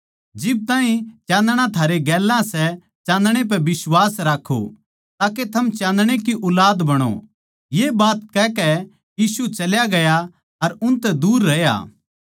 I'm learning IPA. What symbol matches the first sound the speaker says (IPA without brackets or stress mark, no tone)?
d͡ʒ